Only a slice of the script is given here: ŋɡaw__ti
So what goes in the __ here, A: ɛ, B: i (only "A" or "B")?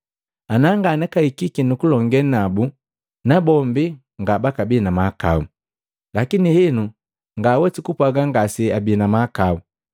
A